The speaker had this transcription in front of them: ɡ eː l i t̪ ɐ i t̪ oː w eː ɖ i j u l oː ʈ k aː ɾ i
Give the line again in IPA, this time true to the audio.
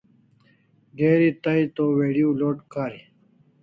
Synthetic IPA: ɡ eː ɾ i t̪ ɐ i t̪ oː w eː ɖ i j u l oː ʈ k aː ɾ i